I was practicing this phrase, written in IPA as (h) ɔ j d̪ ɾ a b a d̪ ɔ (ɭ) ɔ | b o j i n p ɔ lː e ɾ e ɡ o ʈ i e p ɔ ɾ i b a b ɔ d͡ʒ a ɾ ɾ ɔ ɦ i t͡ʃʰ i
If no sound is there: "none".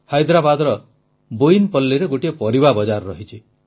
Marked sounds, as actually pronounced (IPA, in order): h, ɾ

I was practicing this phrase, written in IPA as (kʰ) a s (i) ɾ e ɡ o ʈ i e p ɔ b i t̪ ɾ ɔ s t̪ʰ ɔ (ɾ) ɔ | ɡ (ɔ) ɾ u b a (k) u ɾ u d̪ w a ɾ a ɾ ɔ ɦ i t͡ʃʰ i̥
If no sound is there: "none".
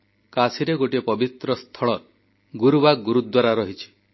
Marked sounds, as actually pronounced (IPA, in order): k, i, ɭ, u, ɡ

